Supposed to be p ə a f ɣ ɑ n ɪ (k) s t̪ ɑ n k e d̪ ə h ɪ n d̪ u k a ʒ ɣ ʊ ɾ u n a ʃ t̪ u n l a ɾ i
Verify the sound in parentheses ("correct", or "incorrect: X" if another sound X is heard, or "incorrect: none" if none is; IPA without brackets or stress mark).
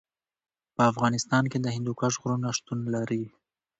incorrect: none